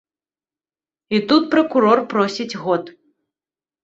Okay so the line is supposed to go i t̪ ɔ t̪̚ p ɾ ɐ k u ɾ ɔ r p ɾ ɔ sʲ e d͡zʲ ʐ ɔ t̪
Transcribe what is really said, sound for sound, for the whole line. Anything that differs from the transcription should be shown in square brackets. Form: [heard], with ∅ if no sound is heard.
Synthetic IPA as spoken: i t̪ [u] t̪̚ p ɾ ɐ k u ɾ ɔ r p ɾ ɔ sʲ [i] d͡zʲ [ɣ] ɔ t̪